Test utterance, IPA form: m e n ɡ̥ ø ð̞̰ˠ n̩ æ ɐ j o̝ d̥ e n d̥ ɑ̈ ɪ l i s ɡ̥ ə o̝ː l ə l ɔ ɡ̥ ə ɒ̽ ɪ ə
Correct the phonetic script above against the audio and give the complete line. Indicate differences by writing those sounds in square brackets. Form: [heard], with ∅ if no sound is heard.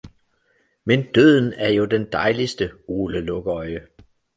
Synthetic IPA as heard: m e n [d̥] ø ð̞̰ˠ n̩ æ ɐ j o̝ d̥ e n d̥ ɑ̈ ɪ l i s [d̥] ə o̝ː l ə l ɔ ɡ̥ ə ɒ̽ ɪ ə